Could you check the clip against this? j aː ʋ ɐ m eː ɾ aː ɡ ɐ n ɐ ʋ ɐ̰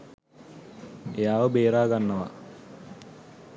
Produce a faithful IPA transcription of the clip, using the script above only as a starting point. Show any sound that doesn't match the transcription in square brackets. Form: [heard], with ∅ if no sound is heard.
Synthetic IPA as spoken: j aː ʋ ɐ [b] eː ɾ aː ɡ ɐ [nː] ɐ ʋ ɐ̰